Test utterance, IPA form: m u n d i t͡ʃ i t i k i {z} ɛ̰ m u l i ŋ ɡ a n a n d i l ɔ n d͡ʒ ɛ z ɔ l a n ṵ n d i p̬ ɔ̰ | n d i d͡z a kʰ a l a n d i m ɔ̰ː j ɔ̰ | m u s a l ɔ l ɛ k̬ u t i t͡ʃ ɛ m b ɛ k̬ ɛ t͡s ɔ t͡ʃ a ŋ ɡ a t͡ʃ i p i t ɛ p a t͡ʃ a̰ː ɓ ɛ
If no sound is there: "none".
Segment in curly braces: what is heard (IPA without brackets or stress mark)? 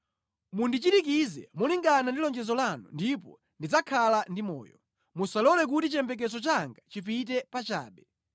z